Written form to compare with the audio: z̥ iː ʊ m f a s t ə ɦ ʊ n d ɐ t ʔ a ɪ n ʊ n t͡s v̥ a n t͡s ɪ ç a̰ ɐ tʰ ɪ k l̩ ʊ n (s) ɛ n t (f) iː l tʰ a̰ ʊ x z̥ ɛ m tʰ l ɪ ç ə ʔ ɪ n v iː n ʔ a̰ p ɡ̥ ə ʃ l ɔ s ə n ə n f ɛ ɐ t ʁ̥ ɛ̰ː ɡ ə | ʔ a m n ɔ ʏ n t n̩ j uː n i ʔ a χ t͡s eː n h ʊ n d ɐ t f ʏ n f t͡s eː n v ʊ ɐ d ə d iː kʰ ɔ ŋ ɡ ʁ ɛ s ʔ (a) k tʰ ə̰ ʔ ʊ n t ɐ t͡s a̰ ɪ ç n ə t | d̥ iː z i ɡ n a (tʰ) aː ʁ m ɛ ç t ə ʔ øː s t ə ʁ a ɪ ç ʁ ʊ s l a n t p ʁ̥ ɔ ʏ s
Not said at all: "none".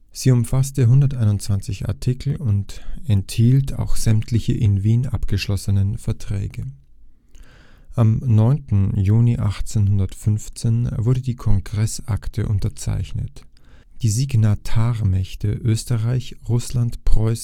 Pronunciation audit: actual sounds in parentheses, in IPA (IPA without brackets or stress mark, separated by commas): t, h, a, tʰ